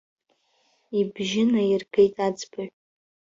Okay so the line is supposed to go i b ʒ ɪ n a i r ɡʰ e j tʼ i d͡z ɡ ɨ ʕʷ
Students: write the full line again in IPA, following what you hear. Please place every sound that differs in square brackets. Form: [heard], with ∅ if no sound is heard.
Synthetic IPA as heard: i b ʒ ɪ n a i r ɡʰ e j tʼ [a] d͡z [b] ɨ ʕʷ